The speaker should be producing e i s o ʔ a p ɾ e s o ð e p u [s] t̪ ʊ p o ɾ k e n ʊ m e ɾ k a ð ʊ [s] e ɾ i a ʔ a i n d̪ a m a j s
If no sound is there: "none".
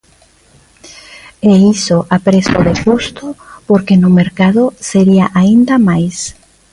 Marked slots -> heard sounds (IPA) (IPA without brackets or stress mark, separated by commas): s, s